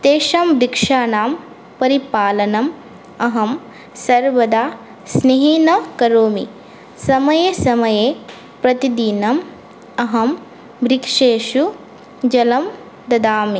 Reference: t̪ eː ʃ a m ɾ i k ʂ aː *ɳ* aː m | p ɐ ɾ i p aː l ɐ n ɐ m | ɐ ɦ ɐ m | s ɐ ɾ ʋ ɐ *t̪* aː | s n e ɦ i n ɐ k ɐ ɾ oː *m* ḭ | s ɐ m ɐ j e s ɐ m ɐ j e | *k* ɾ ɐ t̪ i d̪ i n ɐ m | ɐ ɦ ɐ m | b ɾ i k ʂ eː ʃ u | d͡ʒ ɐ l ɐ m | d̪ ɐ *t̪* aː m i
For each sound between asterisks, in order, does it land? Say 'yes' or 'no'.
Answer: no, no, yes, no, no

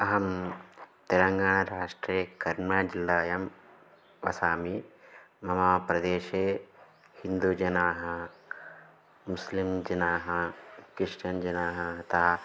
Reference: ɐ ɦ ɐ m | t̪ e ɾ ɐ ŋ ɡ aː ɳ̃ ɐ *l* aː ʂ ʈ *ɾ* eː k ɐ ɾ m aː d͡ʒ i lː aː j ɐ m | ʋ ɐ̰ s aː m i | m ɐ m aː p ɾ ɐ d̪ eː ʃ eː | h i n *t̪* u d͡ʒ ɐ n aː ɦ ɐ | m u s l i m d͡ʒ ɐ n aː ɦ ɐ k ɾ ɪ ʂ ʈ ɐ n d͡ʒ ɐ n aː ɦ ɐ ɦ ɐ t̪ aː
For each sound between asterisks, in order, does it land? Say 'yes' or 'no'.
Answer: no, yes, no

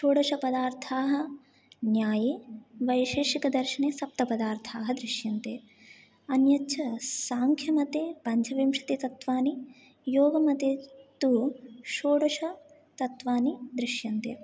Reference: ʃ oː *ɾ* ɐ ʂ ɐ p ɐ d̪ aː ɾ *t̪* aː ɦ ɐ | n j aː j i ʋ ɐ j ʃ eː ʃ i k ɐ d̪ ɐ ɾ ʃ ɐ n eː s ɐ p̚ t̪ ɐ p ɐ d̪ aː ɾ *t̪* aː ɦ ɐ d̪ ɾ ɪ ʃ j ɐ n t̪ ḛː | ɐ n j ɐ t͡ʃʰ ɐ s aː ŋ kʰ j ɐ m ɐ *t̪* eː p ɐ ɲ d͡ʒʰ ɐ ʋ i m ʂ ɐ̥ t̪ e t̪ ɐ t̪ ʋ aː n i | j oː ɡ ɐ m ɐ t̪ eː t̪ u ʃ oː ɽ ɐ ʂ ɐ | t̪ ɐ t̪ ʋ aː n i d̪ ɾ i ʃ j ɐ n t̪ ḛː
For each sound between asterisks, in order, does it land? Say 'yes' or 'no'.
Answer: no, no, no, yes

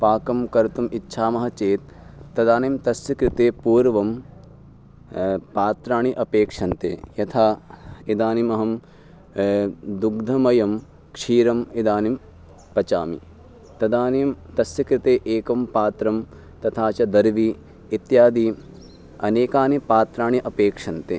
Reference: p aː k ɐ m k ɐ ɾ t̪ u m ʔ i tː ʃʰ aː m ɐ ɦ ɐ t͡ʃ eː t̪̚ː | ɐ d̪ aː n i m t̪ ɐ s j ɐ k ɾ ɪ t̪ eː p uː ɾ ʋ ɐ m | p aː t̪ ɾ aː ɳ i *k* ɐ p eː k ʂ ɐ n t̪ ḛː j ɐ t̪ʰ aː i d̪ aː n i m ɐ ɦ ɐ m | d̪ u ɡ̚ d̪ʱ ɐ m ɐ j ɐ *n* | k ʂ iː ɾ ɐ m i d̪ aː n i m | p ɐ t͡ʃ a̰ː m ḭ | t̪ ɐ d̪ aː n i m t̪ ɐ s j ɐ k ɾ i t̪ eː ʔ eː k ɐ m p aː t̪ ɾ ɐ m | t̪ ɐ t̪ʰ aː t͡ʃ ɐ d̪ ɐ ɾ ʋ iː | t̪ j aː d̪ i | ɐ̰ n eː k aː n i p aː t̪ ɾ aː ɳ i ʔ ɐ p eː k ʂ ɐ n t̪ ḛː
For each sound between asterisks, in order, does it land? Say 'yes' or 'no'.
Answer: no, no

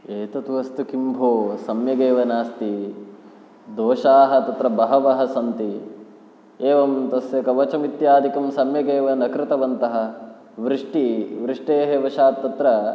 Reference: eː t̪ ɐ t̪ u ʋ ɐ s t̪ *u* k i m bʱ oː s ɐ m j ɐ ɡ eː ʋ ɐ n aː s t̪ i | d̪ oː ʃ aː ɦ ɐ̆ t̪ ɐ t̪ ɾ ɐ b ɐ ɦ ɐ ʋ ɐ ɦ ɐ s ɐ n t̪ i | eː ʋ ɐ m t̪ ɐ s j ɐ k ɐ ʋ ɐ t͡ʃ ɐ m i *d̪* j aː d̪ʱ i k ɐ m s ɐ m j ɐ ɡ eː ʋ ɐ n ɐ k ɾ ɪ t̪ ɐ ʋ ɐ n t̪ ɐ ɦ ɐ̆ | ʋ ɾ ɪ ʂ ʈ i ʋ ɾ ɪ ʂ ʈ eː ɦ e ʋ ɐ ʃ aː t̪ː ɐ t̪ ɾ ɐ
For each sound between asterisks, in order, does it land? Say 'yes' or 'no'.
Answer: yes, no

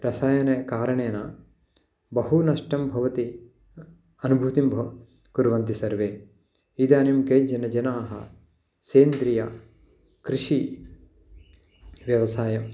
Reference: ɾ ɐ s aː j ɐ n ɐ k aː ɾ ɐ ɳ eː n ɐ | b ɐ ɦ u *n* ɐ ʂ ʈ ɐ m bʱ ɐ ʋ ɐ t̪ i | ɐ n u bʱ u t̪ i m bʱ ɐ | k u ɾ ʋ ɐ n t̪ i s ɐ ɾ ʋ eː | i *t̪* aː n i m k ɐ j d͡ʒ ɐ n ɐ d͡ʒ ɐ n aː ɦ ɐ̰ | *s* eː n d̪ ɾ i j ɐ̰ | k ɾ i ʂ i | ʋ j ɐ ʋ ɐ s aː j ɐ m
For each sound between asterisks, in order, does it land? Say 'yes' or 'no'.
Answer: yes, no, yes

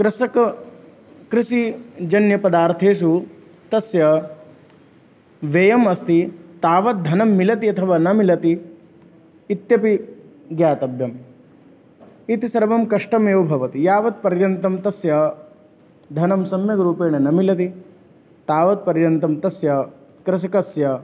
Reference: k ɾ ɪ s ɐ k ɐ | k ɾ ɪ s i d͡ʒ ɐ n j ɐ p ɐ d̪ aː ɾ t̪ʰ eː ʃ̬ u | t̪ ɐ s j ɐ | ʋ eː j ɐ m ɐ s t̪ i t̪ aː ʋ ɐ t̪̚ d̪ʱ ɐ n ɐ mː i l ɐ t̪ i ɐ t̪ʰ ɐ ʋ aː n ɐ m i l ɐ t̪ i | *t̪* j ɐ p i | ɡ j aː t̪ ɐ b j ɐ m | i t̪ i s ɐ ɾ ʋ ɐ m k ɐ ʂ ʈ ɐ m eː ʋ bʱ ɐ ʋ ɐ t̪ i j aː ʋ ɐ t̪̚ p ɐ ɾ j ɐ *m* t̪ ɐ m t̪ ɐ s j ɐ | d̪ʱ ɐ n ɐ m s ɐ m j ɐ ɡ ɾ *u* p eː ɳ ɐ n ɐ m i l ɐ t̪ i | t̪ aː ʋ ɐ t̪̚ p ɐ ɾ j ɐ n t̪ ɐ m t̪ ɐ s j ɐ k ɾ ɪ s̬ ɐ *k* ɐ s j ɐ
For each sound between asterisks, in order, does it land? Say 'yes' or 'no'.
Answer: yes, no, no, yes

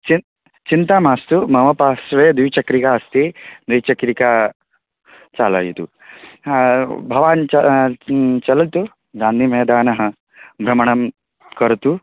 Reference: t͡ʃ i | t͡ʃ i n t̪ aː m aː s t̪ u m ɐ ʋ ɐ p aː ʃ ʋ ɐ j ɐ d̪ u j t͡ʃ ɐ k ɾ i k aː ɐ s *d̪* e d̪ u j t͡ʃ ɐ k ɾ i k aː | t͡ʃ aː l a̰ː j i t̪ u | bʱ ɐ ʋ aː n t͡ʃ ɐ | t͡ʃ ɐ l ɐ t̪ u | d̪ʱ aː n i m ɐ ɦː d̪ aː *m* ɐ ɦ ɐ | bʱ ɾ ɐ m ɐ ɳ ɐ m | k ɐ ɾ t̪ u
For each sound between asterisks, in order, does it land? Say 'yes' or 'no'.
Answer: no, no

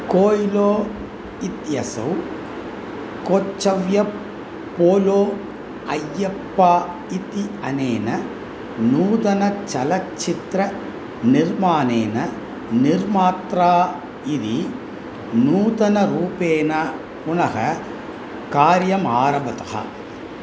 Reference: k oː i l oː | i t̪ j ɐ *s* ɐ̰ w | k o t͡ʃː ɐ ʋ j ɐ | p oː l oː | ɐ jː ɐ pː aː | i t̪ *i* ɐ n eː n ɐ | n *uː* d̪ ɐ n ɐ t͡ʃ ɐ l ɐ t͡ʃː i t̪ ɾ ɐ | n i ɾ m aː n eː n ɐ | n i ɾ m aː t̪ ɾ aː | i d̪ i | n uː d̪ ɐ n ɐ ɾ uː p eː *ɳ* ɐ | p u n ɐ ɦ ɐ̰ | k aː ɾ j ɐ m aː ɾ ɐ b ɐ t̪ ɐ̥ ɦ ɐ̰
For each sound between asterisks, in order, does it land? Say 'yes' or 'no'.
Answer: yes, yes, yes, no

